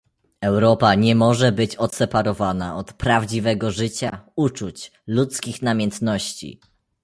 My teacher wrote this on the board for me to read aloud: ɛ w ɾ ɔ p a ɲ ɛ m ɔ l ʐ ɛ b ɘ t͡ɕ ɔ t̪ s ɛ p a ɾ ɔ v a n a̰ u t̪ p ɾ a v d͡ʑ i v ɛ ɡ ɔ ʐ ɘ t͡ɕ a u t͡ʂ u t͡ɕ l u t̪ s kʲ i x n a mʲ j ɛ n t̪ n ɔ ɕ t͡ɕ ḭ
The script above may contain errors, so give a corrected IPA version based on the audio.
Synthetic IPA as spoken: ɛ w ɾ ɔ p a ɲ ɛ m ɔ ʐ ɛ b ɘ t͡ɕ ɔ t̪ s ɛ p a ɾ ɔ v a n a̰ ɔ t̪ p ɾ a v d͡ʑ i v ɛ ɡ ɔ ʐ ɘ t͡ɕ a u t͡ʂ u t͡ɕ l u t̪ s kʲ i x n a mʲ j ɛ n t̪ n ɔ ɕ t͡ɕ ḭ